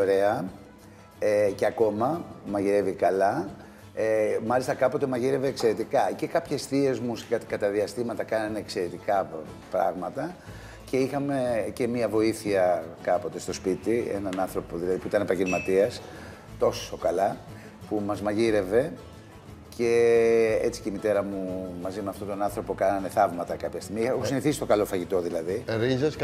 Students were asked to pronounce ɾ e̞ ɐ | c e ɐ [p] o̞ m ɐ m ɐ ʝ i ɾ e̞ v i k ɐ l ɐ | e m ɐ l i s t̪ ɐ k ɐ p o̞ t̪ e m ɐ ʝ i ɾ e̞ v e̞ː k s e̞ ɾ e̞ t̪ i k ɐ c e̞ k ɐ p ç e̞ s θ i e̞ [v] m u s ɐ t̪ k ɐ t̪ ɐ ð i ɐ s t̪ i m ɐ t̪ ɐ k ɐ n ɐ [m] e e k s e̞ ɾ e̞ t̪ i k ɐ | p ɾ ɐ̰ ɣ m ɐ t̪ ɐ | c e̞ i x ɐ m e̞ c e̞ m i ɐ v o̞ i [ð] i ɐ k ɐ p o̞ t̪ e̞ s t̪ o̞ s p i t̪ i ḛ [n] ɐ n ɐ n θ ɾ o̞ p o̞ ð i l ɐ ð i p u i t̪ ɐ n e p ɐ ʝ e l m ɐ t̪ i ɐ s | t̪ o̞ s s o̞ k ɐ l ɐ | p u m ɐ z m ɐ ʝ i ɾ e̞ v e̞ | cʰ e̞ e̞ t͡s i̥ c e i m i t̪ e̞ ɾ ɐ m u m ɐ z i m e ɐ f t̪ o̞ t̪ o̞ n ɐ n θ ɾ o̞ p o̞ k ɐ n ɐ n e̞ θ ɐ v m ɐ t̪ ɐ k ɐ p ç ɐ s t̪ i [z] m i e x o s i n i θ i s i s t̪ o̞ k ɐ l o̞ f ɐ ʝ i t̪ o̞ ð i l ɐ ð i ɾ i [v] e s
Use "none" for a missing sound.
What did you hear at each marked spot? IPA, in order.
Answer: k, z, n, θ, n, ɣ, z

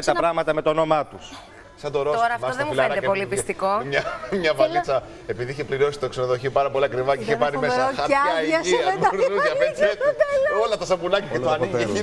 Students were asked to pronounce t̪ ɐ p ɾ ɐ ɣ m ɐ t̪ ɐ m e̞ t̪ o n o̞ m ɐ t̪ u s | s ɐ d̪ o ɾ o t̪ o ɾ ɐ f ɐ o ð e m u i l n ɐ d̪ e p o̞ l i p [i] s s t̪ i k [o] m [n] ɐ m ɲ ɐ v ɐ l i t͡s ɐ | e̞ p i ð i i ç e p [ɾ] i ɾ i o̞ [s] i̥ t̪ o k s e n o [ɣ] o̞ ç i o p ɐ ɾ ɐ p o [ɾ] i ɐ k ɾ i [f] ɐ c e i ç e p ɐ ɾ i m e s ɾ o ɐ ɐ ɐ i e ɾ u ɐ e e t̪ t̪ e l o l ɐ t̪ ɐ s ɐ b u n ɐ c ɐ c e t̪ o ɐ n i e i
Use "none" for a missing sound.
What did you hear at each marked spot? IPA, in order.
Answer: i, o, ɲ, l, s, ð, l, v

